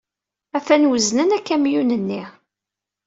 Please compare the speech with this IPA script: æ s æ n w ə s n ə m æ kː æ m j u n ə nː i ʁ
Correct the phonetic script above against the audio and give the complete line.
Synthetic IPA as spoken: æ f æ n w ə z n ə n æ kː æ m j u n ə nː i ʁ